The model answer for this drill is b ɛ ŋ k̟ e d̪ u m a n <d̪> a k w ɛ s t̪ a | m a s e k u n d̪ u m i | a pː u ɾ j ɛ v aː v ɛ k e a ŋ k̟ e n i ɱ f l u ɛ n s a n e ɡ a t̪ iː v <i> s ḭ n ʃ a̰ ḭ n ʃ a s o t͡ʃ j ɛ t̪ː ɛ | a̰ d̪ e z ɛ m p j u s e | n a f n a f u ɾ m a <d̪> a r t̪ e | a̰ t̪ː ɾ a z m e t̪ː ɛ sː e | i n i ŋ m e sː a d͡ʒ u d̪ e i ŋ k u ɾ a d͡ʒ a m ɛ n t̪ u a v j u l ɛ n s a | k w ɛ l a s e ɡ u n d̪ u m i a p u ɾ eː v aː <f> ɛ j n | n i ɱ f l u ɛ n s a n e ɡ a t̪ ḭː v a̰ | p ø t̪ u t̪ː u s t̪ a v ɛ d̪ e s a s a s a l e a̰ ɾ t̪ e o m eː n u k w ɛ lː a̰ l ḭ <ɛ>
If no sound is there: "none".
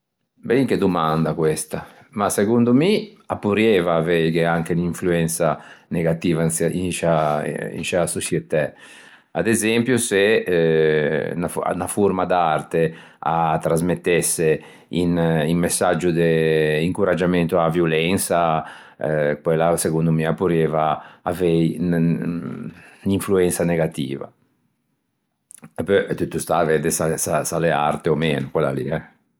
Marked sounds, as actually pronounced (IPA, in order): d̪, a, d̪, v, ɛ

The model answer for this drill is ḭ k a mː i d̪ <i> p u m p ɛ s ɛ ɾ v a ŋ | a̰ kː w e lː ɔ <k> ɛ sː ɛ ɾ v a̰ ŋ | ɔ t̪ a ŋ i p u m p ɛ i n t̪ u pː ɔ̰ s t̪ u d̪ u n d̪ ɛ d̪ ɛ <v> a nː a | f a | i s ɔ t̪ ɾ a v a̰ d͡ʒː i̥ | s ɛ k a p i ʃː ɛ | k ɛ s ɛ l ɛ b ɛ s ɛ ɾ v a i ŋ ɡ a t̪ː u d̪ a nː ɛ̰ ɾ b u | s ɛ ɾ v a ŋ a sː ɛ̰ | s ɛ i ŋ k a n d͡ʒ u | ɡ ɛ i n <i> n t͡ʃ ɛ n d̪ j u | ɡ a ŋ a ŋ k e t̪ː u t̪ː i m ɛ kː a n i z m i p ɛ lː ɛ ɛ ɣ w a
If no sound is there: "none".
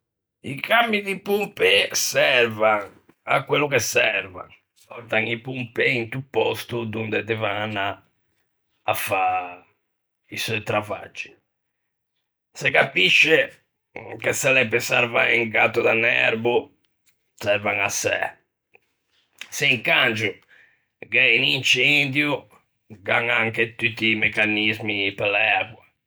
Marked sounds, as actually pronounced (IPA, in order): i, k, v, i

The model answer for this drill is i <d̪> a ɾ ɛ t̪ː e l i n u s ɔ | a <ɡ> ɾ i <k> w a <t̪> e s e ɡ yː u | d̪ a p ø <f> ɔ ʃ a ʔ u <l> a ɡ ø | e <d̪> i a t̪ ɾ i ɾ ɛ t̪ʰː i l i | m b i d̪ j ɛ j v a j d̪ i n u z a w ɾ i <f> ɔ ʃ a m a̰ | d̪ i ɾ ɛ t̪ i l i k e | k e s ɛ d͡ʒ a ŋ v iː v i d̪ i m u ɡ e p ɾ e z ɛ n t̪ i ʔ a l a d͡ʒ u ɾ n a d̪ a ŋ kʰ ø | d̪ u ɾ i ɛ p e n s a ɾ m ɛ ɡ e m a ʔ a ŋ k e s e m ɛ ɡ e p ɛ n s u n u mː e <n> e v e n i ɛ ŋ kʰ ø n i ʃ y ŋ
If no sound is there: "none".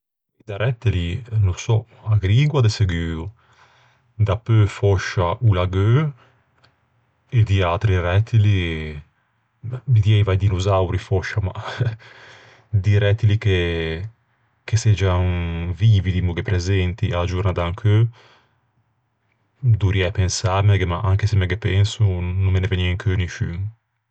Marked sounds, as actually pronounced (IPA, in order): d̪, ɡ, ɡ, d̪, f, l, d̪, f, n

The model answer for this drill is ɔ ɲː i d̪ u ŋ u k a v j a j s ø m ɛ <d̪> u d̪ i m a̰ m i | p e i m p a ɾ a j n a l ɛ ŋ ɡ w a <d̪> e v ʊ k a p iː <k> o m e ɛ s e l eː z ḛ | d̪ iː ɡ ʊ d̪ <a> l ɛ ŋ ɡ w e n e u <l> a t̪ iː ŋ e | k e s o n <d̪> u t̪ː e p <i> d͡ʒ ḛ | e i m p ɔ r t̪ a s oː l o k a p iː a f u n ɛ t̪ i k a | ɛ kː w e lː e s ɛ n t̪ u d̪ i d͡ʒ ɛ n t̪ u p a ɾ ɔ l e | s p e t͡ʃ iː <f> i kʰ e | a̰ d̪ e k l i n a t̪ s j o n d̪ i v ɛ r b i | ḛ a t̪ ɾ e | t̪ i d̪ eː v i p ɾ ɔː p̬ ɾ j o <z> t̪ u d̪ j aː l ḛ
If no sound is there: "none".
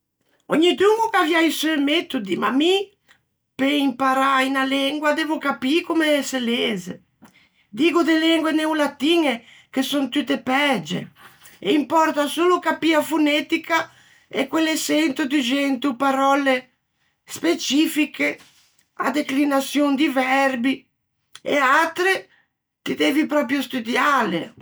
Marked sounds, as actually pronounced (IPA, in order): t̪, d̪, k, e, l, t̪, ɛ, f, s

